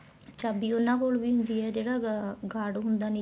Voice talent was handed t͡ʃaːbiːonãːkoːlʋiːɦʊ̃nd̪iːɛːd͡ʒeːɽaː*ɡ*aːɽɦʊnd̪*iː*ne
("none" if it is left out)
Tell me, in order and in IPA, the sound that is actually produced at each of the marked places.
ɡ, aː

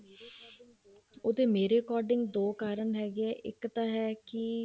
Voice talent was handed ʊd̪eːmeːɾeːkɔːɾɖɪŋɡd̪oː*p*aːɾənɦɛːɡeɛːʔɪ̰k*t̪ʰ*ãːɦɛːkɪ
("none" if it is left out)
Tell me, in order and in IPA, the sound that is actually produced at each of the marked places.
k, t̪

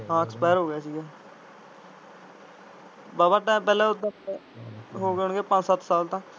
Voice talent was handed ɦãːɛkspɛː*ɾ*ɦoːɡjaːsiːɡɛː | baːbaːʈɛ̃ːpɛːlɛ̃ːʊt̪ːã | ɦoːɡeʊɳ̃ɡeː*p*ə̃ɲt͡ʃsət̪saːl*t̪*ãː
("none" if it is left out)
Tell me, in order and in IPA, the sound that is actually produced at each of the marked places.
ɾ, p, t̪

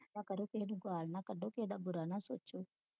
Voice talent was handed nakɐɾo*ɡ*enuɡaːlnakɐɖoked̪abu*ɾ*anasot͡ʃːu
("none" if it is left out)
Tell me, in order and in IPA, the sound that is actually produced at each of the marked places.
k, ɾ

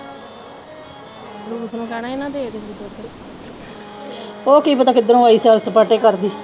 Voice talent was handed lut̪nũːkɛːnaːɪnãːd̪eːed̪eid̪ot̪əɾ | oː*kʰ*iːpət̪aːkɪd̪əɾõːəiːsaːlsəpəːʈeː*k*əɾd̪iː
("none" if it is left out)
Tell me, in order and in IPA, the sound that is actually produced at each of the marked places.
k, k

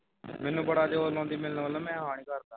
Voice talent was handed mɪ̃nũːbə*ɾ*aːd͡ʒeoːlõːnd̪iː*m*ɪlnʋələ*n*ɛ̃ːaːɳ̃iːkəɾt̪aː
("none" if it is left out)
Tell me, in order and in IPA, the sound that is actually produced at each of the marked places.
ɽ, m, m

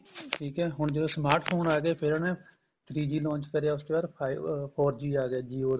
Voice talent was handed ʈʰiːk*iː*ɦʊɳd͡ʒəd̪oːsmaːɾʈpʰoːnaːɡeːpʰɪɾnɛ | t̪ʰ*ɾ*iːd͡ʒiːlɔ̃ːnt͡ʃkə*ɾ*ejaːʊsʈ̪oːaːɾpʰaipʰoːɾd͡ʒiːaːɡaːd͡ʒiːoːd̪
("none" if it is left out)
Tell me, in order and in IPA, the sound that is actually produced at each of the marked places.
ɛː, ɾ, ɾ

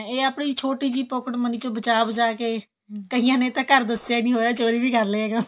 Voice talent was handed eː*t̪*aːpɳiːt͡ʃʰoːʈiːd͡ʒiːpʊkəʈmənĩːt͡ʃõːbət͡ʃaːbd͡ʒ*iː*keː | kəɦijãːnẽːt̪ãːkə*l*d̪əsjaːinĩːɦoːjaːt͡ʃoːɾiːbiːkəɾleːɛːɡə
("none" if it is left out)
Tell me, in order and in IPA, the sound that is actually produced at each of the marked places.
none, aː, ɾ

